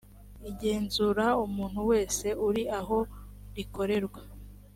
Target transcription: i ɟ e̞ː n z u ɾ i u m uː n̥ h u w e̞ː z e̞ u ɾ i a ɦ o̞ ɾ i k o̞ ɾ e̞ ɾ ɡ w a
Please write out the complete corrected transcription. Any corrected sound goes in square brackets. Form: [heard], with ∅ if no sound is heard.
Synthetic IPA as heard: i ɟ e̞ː n z u ɾ [a] u m uː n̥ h u w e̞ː [s] e̞ u ɾ i a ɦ o̞ ɾ i k o̞ ɾ e̞ ɾ ɡ w a

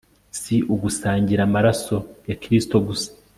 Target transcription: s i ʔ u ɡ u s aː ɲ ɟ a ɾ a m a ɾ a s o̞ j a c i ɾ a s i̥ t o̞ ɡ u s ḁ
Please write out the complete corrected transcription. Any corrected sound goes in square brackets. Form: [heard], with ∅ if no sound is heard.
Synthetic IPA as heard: s i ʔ u ɡ u s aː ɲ ɟ [i] ɾ a m a ɾ a s o̞ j a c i ɾ [i] s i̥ t o̞ ɡ u s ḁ

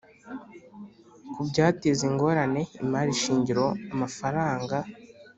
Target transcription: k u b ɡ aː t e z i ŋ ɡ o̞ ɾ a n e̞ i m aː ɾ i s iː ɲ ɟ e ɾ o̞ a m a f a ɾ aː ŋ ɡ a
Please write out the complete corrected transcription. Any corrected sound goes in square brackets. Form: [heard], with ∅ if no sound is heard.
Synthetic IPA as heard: k u b [ɟ] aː t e z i ŋ ɡ o̞ ɾ a n e̞ i m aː ɾ i [ʃ] iː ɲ ɟ [i] ɾ o̞ a m a f a ɾ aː ŋ ɡ a

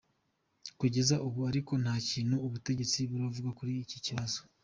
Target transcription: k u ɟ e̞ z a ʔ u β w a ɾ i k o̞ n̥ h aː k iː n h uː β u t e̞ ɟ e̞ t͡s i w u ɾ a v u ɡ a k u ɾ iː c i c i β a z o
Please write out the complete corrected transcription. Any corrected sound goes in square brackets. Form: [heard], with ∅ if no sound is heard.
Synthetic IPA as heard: k u ɟ e̞ z a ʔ u β [u] a ɾ i k o̞ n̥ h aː [c] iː n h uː β u t e̞ ɟ e̞ t͡s i [β] u ɾ a v u ɡ a k u ɾ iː c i c i β a z o

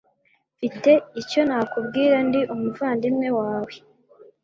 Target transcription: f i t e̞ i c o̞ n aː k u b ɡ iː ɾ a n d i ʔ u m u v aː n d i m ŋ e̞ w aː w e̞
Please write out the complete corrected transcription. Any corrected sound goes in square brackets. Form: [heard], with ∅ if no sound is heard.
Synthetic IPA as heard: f i t e̞ i c o̞ n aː k u b ɡ iː ɾ a n d i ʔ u m u v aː n d i m ŋ e̞ w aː w e̞

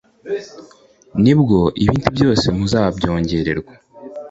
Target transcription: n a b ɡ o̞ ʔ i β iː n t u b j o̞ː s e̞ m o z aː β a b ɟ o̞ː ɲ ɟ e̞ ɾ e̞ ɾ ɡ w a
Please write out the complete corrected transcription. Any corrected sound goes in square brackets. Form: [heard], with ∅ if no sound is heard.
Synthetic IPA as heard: n [i] b ɡ o̞ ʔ i β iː n t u b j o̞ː s e̞ m [u] z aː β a b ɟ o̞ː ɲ ɟ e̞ ɾ e̞ ɾ ɡ w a

